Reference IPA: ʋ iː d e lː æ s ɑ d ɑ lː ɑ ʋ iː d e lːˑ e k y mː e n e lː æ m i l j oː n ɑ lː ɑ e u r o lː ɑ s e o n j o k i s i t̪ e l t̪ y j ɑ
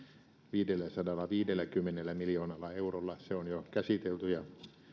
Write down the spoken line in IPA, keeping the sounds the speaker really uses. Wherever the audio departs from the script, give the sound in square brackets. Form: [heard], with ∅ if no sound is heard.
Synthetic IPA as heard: ʋ iː d e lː æ s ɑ d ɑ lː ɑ ʋ iː d e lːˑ [æ] k y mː e n e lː æ m i l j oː n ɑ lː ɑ e u r o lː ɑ s e o n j o k [æ] s i t̪ e l t̪ y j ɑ

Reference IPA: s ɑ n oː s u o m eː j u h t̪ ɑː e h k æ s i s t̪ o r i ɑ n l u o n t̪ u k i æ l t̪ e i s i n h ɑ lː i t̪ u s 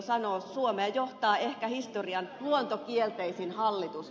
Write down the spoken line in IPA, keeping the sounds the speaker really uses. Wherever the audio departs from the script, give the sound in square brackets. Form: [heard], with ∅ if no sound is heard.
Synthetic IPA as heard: s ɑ n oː s u o m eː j [o] h t̪ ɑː e h k æ [h] i s t̪ o r i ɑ n l u o n t̪ [o] k i [e] l t̪ e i s i n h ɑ lː i t̪ u s

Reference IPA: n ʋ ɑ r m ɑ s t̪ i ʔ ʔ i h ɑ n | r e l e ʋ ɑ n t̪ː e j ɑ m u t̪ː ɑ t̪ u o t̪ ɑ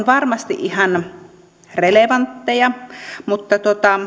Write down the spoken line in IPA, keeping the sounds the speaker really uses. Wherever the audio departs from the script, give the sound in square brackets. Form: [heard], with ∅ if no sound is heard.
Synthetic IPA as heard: n ʋ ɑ r m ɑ s t̪ i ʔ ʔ i h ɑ n | r e l e ʋ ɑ n t̪ː e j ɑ m u t̪ː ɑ t̪ u o t̪ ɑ

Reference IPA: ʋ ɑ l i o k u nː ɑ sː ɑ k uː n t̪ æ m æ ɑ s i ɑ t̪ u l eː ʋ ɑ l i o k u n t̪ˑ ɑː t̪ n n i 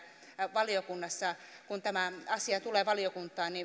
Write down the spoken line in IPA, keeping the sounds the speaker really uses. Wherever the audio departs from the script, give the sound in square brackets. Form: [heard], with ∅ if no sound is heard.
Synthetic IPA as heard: ʋ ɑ l i o k u nː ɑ sː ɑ k [u] n t̪ æ m æ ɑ s i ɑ t̪ u l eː ʋ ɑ l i o k u n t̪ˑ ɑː [∅] n n i

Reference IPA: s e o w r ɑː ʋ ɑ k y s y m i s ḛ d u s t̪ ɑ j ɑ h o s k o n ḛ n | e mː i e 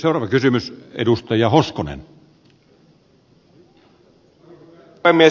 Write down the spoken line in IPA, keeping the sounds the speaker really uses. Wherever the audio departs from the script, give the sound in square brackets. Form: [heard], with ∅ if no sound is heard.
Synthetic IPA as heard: s e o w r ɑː ʋ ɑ k y s y m [y] s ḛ d u s t̪ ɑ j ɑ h o s k o n ḛ n | e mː i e

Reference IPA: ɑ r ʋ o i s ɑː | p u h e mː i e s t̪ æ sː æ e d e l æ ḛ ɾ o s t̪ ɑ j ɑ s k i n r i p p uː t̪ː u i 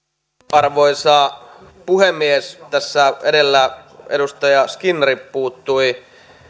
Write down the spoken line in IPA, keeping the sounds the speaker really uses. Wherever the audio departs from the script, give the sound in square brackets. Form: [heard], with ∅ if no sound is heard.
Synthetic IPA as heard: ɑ r ʋ o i s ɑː | p u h e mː i e s t̪ æ sː æ e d e [lː] æ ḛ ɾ [u] s t̪ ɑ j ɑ s k i n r i p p uː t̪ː u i

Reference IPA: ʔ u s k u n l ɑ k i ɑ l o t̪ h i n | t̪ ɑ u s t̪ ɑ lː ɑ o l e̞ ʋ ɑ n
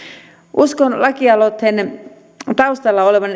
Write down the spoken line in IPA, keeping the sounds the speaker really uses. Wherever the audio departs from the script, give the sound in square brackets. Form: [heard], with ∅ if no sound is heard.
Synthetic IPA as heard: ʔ u s k [o] n l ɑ k i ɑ l o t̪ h [e] n | t̪ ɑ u s t̪ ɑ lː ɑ o l e̞ ʋ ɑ n

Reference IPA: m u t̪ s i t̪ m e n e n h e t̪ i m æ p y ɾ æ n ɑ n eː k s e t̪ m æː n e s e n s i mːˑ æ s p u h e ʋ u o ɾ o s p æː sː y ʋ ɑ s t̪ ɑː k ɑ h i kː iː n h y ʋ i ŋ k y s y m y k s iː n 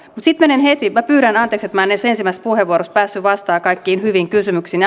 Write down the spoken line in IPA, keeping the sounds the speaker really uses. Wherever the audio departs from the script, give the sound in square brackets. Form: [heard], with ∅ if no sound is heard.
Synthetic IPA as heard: m u t̪ s i t̪ m e n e n h e t̪ i m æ p [yː] ɾ æ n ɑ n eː k s e t̪ m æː n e s e n s i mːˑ æ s p u h e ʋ u o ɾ o s p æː sː y ʋ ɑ s t̪ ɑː k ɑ [∅] i kː iː n h y ʋ i ŋ k y s y m y k s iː n

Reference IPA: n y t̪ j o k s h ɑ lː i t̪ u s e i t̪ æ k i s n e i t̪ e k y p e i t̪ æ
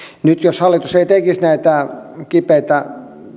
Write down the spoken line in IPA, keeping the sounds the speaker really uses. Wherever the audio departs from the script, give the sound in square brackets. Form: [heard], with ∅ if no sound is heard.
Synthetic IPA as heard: n y t̪ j o [∅] s h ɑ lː i t̪ u s e i t̪ [e] k i s n [æ] i t̪ [æ] k [i] p e i t̪ æ

